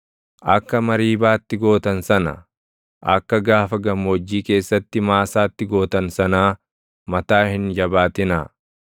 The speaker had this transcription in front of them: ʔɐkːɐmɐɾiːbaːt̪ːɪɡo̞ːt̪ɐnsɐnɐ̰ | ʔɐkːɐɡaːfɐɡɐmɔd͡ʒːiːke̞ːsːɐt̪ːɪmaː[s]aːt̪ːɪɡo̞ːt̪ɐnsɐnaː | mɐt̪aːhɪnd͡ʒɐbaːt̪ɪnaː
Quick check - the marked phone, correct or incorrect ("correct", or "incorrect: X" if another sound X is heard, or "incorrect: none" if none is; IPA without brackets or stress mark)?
correct